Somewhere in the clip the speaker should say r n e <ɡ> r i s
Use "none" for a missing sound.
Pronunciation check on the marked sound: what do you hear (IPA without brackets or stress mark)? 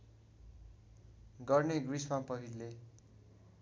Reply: ɡ